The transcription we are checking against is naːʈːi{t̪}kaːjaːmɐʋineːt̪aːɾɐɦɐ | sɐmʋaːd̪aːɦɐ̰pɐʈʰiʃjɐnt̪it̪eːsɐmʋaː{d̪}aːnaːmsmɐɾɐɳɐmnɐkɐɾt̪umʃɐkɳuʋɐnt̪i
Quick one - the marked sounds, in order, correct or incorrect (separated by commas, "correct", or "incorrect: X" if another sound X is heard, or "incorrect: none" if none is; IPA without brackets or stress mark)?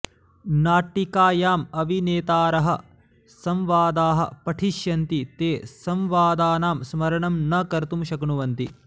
incorrect: none, correct